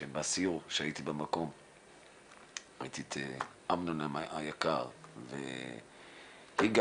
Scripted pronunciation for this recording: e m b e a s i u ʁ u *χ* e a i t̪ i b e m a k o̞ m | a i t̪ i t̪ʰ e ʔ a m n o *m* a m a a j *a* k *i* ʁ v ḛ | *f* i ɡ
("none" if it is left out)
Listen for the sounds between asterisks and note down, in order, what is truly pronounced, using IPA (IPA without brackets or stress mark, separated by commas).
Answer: ʃ, n, a, a, h